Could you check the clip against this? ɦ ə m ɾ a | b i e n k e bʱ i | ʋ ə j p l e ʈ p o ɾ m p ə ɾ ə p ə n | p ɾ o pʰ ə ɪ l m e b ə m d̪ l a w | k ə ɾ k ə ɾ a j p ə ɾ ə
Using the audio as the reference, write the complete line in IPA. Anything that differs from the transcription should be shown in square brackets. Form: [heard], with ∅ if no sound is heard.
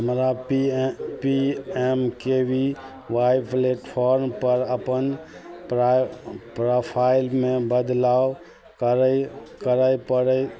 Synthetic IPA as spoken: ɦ ə m ɾ a | [p] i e [m] k e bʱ i | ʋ [a] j p l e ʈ [pʰ] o ɾ m p ə ɾ ə p ə n | p ɾ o pʰ [a] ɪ l m e b ə [∅] d̪ l a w | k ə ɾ k ə ɾ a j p ə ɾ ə